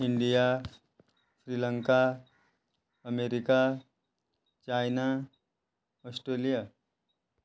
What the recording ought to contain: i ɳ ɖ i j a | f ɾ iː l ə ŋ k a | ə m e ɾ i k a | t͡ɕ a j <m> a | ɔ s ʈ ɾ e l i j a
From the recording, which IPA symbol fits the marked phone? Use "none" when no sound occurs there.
n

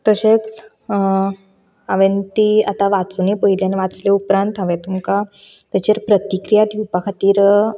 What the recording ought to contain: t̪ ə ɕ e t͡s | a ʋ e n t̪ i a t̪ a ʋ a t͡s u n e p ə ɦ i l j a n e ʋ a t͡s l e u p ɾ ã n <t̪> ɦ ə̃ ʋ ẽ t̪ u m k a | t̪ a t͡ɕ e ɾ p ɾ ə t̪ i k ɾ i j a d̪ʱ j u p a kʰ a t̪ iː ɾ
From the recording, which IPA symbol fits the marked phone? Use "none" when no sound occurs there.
t̪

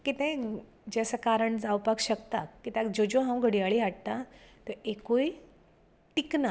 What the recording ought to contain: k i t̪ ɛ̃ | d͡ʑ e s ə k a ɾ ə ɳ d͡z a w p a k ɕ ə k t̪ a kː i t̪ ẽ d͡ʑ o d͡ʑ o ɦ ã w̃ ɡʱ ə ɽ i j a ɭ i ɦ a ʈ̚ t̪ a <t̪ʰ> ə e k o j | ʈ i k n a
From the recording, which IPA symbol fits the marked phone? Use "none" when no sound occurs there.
t̪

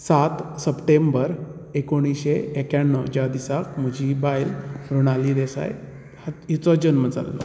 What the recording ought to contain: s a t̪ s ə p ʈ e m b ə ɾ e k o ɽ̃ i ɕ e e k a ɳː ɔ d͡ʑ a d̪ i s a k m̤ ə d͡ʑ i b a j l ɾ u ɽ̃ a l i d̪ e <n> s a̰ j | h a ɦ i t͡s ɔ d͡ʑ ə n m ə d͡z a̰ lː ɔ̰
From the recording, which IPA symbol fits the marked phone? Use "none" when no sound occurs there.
none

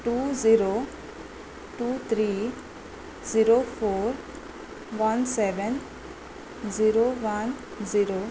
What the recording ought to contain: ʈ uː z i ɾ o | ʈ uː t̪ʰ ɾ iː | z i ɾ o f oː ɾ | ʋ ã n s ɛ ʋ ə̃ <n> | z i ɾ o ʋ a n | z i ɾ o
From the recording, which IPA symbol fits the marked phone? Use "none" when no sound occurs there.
n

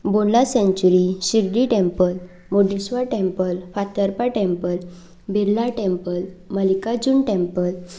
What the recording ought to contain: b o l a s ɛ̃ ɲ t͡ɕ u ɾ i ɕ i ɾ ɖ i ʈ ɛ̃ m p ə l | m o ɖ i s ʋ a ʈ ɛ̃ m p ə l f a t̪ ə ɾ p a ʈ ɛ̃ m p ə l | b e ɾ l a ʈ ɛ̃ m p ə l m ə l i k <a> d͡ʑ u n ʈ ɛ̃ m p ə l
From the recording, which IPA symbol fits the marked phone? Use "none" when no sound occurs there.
a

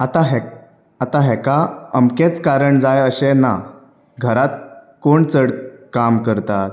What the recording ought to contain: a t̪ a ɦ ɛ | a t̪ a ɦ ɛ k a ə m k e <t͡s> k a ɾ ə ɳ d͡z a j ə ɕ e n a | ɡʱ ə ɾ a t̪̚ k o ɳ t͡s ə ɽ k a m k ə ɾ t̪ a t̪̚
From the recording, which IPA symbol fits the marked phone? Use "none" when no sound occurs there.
t͡s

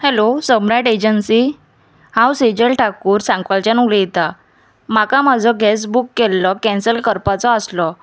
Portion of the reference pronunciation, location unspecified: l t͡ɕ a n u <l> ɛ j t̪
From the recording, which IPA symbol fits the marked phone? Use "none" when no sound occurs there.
l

